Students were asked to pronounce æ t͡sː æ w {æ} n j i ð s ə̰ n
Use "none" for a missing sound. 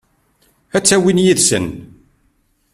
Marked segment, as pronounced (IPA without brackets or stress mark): i